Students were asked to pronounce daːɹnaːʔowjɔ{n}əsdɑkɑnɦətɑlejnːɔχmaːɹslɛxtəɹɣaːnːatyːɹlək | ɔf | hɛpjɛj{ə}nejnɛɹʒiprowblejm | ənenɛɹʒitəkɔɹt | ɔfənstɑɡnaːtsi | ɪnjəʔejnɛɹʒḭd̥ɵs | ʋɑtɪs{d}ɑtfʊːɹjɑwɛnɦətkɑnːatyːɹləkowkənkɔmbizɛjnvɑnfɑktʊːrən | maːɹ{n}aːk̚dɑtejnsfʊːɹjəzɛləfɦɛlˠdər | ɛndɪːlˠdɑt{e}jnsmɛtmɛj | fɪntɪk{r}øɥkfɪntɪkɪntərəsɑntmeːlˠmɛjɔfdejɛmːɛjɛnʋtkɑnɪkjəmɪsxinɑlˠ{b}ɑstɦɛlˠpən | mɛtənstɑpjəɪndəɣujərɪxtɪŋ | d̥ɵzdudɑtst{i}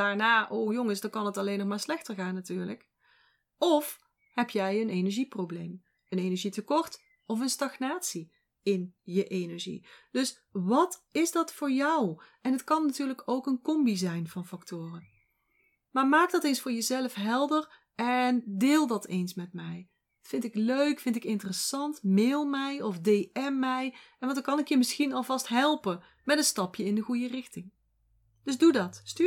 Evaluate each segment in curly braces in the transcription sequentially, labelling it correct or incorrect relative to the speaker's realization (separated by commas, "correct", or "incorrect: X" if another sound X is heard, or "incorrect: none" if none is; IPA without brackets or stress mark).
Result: incorrect: ŋ, correct, correct, incorrect: m, correct, incorrect: l, incorrect: v, incorrect: y